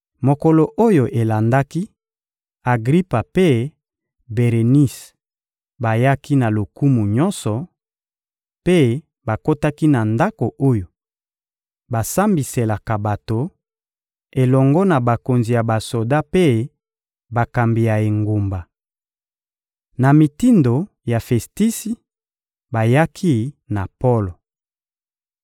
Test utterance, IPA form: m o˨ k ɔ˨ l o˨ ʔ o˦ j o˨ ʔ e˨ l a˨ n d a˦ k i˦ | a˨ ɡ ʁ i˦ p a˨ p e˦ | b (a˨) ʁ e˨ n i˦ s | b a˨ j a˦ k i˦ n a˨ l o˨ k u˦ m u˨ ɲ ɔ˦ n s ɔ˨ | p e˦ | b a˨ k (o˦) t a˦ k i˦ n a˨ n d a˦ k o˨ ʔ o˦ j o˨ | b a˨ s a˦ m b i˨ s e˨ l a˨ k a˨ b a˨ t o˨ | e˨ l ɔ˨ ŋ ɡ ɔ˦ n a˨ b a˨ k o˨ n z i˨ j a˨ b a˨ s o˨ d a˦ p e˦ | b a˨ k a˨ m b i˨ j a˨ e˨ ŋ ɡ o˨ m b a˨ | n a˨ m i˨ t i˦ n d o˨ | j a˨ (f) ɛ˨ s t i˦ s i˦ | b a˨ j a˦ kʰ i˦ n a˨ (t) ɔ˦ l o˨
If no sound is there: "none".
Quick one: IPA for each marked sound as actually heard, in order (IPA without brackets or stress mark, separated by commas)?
e˨, o˦, f, p